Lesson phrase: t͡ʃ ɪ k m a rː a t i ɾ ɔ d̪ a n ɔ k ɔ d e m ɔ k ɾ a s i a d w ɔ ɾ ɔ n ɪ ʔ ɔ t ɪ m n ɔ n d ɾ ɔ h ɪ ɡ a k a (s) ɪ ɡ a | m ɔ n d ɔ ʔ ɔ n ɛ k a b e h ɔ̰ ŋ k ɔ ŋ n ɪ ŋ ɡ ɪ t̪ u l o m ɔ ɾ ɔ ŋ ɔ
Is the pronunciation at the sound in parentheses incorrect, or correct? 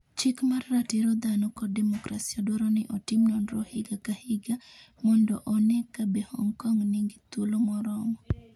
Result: incorrect